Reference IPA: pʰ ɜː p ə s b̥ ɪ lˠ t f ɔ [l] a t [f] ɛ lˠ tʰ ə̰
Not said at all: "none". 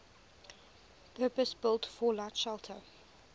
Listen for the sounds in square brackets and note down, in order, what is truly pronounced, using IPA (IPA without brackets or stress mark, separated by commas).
l, ʃ